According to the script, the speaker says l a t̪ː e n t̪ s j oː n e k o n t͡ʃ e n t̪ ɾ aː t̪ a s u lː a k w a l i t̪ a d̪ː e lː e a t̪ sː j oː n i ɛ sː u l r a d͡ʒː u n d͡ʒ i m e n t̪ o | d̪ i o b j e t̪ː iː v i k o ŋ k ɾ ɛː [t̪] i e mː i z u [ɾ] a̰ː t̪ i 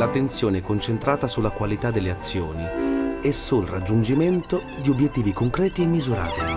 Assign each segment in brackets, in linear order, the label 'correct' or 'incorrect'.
correct, correct

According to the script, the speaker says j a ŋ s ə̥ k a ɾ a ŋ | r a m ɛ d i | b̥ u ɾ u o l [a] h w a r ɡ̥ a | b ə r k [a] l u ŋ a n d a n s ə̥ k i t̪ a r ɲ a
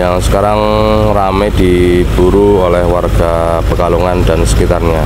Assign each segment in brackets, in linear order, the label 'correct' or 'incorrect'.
incorrect, correct

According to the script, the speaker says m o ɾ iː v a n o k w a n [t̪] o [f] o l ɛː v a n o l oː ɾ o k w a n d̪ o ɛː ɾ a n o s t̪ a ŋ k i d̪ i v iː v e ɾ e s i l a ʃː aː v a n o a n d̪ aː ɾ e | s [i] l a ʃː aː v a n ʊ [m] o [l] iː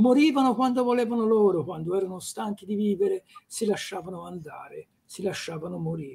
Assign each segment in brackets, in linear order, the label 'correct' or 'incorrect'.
incorrect, incorrect, correct, correct, incorrect

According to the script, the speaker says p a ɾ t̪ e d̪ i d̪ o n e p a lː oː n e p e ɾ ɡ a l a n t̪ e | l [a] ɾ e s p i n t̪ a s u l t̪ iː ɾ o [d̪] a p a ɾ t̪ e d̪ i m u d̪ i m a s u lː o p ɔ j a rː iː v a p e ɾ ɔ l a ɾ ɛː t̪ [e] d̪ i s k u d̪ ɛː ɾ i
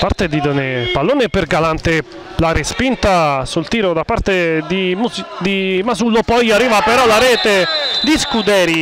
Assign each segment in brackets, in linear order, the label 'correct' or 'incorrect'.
correct, correct, correct

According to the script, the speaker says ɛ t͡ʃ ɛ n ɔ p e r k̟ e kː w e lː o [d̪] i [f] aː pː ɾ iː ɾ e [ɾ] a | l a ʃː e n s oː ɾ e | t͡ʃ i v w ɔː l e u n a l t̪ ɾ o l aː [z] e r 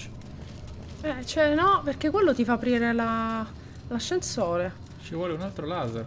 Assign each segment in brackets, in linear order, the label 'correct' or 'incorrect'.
incorrect, correct, incorrect, correct

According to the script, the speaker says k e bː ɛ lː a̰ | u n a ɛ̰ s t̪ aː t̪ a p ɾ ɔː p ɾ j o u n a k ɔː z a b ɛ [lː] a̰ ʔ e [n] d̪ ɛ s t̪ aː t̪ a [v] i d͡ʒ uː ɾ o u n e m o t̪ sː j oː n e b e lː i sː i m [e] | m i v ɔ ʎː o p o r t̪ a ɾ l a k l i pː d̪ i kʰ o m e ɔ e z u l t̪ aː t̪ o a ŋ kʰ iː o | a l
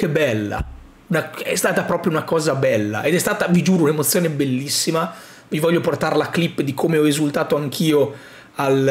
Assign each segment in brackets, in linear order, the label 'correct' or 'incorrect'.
correct, incorrect, correct, incorrect

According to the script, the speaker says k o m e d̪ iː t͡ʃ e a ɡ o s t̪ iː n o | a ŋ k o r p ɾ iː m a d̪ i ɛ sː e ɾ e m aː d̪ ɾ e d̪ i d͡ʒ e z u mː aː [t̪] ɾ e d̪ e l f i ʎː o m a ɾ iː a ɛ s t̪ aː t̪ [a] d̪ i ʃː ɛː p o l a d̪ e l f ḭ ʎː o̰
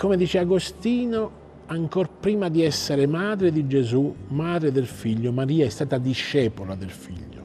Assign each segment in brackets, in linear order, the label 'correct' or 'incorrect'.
incorrect, correct

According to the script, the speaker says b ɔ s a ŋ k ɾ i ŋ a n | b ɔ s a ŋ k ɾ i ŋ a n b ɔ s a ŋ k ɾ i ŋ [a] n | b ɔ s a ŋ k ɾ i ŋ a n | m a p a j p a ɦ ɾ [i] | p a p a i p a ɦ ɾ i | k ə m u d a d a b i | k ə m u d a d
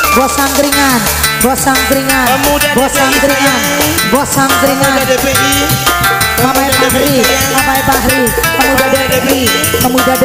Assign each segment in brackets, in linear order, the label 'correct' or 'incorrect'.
correct, correct

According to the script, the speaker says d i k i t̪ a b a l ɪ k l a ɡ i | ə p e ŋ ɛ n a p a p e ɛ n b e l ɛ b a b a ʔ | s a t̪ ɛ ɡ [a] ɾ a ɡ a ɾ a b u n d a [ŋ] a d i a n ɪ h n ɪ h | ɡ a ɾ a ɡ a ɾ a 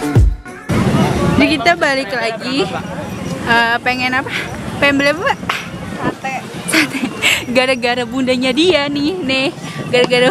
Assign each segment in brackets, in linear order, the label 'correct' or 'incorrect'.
correct, incorrect

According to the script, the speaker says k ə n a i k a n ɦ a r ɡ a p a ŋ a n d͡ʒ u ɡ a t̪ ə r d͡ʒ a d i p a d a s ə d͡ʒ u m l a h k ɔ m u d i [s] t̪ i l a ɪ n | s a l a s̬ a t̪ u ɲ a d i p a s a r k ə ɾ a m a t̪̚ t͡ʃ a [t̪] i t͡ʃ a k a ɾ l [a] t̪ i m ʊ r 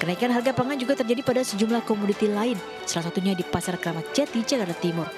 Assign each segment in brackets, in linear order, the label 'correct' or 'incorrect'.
incorrect, correct, correct

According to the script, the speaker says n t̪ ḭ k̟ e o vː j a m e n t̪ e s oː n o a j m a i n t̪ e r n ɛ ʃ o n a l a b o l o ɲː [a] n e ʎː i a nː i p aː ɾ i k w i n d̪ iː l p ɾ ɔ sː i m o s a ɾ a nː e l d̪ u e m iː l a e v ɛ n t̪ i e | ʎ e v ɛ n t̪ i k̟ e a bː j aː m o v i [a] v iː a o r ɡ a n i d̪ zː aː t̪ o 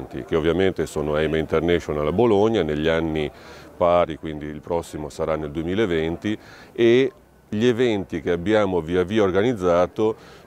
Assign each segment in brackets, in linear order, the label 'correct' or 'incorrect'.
correct, correct

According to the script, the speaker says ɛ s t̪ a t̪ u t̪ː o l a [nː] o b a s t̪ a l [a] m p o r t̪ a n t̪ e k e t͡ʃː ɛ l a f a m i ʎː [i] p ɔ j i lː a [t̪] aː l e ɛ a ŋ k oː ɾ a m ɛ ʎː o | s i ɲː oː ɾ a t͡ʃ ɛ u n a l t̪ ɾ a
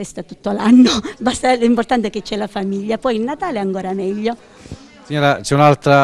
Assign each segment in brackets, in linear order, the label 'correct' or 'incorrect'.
correct, incorrect, incorrect, correct

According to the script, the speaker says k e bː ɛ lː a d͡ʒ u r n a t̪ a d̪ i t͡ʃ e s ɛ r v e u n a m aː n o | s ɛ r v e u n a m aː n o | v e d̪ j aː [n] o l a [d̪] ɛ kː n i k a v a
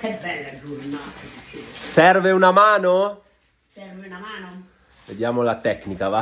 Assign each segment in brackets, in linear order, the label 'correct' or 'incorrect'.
incorrect, incorrect

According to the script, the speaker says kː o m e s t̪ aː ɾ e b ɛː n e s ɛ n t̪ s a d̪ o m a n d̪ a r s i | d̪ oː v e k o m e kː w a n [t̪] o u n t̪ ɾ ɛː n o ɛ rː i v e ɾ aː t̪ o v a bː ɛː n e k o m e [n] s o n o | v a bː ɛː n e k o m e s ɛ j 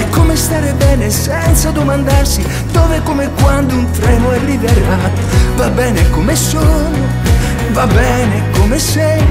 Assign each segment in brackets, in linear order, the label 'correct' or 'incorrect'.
incorrect, incorrect

